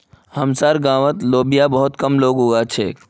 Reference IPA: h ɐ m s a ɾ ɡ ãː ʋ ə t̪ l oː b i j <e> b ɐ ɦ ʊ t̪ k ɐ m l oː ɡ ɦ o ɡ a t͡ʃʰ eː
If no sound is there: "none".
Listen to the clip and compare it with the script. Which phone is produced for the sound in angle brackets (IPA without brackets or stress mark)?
a